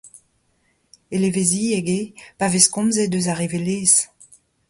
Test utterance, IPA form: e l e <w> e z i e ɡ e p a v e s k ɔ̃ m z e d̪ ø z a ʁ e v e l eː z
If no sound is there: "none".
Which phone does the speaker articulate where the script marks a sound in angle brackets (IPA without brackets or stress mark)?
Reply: v